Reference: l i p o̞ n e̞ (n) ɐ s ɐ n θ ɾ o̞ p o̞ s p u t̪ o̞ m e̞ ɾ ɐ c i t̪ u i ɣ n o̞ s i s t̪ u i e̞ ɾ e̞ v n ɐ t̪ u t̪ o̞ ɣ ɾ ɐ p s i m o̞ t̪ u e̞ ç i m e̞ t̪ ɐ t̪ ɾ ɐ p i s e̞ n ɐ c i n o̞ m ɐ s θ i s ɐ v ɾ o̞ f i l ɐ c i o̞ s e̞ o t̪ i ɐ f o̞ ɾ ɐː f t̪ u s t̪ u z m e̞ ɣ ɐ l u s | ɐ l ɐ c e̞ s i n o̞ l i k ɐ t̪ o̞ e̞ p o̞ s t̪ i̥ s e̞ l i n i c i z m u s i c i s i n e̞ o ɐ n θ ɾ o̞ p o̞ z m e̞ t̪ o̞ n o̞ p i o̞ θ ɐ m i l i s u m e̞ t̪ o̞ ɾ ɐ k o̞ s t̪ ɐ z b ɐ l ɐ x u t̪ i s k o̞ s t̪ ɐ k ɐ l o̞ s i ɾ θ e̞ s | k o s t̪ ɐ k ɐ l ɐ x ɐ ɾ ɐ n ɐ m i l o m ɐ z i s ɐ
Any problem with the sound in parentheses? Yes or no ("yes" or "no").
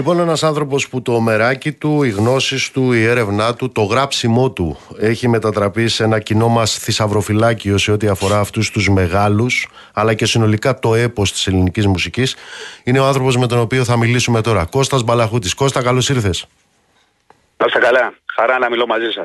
no